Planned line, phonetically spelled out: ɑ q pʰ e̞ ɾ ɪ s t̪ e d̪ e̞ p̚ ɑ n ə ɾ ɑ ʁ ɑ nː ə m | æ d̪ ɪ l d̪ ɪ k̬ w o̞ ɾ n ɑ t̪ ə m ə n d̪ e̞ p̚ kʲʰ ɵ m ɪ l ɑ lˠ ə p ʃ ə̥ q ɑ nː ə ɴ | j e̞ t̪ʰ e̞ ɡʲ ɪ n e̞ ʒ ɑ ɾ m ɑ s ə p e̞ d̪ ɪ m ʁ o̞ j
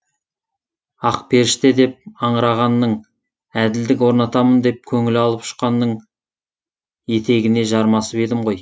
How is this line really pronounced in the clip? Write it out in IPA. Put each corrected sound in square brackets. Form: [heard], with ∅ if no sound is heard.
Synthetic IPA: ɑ q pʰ e̞ ɾ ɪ [ʃ] t̪ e d̪ e̞ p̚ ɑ [ɴ] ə ɾ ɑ ʁ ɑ nː ə [ɴ] | æ d̪ ɪ l d̪ ɪ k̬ w o̞ ɾ n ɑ t̪ [ɑ] m ə n d̪ e̞ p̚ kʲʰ ɵ [ŋ] ɪ l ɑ lˠ ə p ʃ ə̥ q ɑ nː ə ɴ | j e̞ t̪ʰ e̞ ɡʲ ɪ n e̞ ʒ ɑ ɾ m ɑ s ə p e̞ d̪ ɪ m ʁ o̞ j